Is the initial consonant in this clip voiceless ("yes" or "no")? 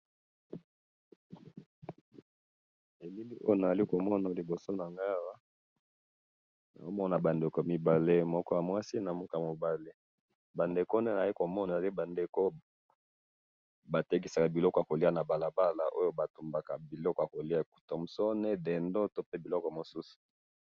no